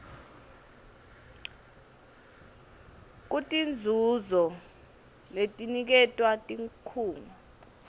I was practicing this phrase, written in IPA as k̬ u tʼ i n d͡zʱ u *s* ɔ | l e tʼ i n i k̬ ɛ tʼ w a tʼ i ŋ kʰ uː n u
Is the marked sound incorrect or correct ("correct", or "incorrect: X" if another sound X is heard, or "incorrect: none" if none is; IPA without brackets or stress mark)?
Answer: incorrect: z